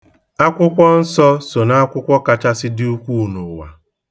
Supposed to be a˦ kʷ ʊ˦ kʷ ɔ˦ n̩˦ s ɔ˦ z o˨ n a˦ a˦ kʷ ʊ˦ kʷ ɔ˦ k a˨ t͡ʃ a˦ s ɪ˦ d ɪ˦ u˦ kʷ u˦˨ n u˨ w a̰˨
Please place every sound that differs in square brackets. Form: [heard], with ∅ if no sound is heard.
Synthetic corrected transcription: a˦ kʷ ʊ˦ kʷ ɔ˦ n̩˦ s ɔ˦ [s] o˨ n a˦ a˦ kʷ ʊ˦ kʷ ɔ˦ k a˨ t͡ʃ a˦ s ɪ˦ d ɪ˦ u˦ kʷ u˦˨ n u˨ w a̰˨